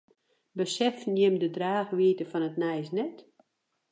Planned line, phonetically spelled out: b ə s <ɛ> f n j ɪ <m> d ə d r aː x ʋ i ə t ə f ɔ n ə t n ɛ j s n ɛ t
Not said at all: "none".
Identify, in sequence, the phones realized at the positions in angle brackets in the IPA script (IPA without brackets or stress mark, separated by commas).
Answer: ɛ, m